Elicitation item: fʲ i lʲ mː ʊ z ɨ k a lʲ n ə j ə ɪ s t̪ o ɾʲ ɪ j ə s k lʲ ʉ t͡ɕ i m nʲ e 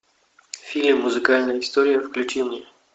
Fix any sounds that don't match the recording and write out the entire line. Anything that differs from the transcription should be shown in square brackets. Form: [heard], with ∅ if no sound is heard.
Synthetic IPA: fʲ i lʲ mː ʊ z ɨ k a lʲ n ə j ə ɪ s t̪ o ɾʲ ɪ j ə [f] k lʲ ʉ t͡ɕ i m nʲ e

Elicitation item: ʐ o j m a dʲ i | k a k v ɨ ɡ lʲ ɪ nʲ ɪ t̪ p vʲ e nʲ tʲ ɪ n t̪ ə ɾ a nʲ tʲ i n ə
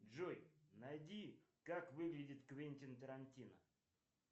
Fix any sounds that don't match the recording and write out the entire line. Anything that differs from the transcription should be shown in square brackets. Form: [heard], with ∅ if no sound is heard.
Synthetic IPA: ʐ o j [n] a dʲ i | k a k v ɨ ɡ lʲ ɪ [dʲ] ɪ t̪ [k] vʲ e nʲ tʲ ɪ n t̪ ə ɾ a nʲ tʲ i n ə

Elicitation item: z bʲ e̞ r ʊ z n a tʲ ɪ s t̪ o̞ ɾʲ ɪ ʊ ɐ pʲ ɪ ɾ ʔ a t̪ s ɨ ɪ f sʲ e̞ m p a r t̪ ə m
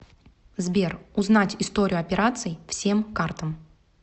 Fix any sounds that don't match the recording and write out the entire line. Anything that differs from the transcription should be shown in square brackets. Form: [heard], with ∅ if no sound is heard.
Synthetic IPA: z bʲ e̞ r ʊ z n a tʲ ɪ s t̪ o̞ ɾʲ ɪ ʊ ɐ pʲ ɪ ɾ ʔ a t̪ s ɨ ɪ f sʲ e̞ m [k] a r t̪ ə m

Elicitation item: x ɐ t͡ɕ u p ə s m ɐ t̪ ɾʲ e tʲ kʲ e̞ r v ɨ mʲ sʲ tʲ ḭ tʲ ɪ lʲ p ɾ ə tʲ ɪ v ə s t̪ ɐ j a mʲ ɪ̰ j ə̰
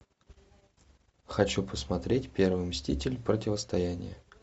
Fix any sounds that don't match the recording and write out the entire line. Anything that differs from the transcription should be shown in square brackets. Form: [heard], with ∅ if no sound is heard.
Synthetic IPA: x ɐ t͡ɕ u p ə s m ɐ t̪ ɾʲ e tʲ [pʲ] e̞ r v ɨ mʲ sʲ tʲ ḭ tʲ ɪ lʲ p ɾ ə tʲ ɪ v ə s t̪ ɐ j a [nʲ] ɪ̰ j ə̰

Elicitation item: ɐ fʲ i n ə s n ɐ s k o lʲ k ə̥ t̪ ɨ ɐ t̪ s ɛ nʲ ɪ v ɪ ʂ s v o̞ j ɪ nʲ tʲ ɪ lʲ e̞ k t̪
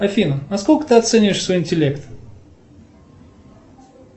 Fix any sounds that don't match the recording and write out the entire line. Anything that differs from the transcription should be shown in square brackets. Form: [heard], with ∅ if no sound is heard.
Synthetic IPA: ɐ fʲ i n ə [∅] n ɐ s k o lʲ k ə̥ t̪ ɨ ɐ t̪ s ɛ nʲ ɪ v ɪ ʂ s v o̞ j ɪ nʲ tʲ ɪ lʲ e̞ k t̪

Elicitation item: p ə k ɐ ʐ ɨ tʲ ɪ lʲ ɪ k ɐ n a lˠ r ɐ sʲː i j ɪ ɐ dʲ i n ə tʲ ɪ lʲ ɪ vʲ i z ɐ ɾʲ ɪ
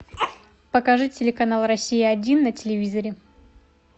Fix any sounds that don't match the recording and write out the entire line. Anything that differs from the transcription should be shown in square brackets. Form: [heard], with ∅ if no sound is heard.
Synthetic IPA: p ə k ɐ ʐ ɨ tʲ ɪ lʲ ɪ k ɐ n a lˠ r ɐ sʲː i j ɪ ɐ dʲ i [nː] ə tʲ ɪ lʲ ɪ vʲ i z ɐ ɾʲ ɪ

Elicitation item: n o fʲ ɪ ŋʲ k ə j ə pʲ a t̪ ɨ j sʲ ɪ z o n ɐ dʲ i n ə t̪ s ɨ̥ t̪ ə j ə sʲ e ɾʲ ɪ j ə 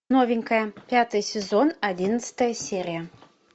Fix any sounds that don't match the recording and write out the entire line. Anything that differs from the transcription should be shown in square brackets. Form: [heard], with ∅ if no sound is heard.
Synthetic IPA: n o [vʲ] ɪ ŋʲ k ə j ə pʲ a t̪ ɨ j sʲ ɪ z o n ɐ dʲ i n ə t̪ s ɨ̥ t̪ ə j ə sʲ e ɾʲ ɪ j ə

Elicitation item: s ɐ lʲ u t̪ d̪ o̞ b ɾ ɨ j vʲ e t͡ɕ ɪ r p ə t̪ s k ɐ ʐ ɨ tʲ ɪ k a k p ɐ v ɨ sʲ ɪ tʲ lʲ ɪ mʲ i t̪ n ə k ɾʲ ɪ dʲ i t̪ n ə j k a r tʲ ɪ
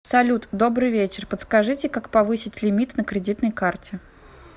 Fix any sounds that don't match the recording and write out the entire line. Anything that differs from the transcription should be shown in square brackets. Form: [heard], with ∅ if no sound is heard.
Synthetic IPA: s ɐ lʲ u t̪ d̪ o̞ b ɾ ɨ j vʲ e t͡ɕ ɪ r p ə t̪ s k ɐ ʐ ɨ tʲ ɪ k a k p ɐ v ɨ sʲ ɪ tʲ lʲ ɪ mʲ i t̪ n ə k ɾʲ ɪ dʲ i t̪ n ə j k a r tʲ ɪ

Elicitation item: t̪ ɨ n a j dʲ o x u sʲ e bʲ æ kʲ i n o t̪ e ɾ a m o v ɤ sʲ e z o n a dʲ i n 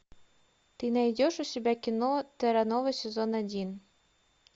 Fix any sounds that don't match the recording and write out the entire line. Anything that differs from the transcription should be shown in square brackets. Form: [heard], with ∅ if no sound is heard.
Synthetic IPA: t̪ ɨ n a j dʲ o [ʃ] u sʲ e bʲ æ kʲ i n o t̪ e ɾ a [n] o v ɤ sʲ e z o n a dʲ i n

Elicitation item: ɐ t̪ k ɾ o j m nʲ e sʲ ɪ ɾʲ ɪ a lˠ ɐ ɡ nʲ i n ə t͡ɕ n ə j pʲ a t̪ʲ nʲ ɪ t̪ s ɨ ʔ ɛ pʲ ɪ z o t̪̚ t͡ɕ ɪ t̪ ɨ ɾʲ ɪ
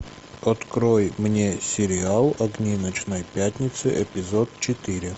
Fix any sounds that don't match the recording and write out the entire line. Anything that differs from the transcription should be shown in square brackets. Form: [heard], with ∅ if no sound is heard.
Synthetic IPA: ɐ t̪ k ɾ o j m nʲ e sʲ ɪ ɾʲ ɪ a lˠ ɐ ɡ nʲ i n ə t͡ɕ n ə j pʲ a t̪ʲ nʲ ɪ t̪ s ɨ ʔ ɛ pʲ ɪ z o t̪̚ t͡ɕ ɪ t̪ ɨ ɾʲ ɪ

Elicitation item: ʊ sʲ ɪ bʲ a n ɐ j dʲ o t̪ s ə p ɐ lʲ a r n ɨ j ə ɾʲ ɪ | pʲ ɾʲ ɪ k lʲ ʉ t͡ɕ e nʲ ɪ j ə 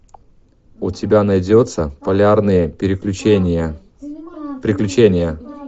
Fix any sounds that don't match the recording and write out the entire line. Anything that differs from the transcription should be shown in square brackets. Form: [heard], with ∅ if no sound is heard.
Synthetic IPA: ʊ [tʲ] ɪ bʲ a n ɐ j dʲ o t̪ s ə p ɐ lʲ a r n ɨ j ə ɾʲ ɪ | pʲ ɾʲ ɪ k lʲ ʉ t͡ɕ e nʲ ɪ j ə

